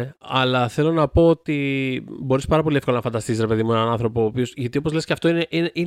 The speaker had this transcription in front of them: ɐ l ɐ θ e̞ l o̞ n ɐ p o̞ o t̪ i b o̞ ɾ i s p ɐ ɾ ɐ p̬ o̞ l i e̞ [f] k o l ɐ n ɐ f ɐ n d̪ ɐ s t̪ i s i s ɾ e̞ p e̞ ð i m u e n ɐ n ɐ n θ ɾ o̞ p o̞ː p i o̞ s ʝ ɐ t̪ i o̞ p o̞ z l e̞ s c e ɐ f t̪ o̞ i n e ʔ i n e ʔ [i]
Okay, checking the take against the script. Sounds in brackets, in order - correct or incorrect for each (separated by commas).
correct, correct